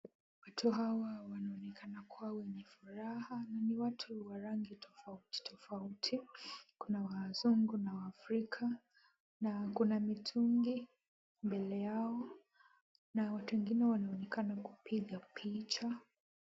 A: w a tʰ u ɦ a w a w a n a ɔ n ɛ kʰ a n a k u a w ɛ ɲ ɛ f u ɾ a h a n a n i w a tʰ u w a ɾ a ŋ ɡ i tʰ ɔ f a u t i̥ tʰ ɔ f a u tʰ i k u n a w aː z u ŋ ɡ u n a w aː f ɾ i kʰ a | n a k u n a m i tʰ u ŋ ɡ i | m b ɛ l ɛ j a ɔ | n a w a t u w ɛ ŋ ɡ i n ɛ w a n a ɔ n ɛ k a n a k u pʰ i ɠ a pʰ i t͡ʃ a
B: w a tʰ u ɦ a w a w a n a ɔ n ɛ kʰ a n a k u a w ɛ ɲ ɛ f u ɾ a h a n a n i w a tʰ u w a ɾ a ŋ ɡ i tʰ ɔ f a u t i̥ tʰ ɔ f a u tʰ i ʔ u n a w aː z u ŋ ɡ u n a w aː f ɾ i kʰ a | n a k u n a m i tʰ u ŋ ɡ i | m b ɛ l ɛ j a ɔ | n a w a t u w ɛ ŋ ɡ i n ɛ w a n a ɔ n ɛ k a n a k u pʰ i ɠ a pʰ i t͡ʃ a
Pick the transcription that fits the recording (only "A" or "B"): A